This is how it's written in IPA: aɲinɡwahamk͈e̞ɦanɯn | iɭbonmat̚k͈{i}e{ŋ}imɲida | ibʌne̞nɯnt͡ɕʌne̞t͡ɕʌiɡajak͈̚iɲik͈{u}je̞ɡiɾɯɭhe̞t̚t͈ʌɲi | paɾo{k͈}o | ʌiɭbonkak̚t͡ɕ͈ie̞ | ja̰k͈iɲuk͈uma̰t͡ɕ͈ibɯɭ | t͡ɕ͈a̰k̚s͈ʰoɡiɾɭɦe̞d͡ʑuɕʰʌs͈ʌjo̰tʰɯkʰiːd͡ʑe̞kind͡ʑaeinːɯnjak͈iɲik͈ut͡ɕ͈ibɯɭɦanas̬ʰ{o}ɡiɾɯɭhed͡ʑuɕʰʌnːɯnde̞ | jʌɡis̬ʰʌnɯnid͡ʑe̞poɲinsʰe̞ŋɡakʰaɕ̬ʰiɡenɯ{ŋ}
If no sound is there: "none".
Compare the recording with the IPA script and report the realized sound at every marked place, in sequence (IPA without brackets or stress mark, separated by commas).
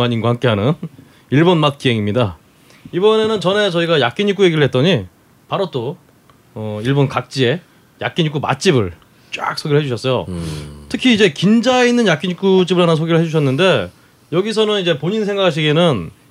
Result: i, ŋ, u, t͈, o, n